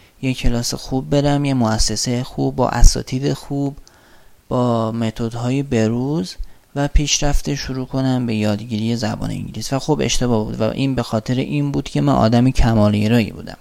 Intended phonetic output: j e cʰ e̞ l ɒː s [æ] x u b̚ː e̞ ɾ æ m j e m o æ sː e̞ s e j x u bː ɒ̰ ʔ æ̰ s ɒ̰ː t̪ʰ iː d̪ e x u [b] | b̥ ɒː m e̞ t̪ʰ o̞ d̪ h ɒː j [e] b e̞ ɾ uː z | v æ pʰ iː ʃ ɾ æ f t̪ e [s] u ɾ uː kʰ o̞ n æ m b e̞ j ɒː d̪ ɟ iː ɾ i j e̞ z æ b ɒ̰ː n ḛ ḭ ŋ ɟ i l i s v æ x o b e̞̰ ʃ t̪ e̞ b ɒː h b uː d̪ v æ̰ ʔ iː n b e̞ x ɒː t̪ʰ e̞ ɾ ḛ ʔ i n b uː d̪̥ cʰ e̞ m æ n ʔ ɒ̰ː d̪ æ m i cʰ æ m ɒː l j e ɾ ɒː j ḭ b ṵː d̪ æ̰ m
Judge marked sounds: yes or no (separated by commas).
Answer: no, yes, yes, no